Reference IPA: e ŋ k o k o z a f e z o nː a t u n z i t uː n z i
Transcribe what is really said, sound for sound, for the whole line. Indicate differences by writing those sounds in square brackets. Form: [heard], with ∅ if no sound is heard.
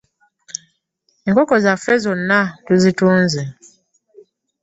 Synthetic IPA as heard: e ŋ k o k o z a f e z o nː a t u [∅] z i t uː n z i